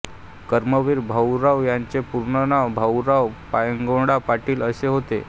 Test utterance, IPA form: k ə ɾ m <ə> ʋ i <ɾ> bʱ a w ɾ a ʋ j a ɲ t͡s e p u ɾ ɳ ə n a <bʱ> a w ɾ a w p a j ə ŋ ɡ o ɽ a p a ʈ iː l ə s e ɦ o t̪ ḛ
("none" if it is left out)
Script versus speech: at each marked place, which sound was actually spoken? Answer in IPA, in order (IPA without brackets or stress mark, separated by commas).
ə, ɾ, bʱ